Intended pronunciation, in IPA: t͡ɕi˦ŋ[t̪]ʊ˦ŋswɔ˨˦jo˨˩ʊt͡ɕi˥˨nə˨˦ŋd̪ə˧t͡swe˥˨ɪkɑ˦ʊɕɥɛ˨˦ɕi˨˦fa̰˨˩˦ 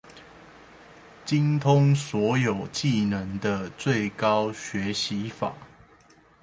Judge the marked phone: incorrect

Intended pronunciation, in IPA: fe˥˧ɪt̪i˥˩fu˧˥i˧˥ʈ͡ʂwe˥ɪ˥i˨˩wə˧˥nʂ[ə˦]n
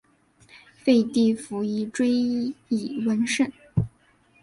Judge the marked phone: incorrect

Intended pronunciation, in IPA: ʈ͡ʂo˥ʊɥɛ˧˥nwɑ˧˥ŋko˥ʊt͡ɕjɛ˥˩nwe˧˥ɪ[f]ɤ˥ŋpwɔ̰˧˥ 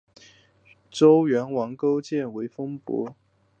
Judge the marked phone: correct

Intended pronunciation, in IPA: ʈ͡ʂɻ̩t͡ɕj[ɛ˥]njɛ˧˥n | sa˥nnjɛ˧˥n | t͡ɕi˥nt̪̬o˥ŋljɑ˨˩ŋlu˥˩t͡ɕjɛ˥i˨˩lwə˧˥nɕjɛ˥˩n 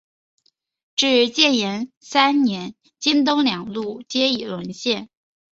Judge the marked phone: incorrect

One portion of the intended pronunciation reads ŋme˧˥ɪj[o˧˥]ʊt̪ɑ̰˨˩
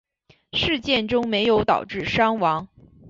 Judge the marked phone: correct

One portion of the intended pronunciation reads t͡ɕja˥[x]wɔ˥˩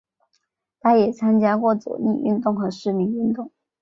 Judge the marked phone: incorrect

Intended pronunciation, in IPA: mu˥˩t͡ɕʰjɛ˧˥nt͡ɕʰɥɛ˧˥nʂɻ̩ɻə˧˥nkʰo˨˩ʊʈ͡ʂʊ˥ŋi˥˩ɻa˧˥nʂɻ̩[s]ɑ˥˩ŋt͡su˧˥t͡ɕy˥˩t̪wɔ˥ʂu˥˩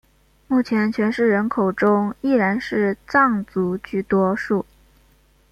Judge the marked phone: incorrect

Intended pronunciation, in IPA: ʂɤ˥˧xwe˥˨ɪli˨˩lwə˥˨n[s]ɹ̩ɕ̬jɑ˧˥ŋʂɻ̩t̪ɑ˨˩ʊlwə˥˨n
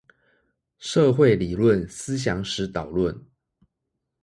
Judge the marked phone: correct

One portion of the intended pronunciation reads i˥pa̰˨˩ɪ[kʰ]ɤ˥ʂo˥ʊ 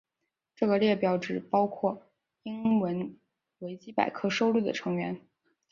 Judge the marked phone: correct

